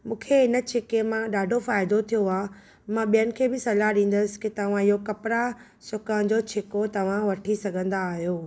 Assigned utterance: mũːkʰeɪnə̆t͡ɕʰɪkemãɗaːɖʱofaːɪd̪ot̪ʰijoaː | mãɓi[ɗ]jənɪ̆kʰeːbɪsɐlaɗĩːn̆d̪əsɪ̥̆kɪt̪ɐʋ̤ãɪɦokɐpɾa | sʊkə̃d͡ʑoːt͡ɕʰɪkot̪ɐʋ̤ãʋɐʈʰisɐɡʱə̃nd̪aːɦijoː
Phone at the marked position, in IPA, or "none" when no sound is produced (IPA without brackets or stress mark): none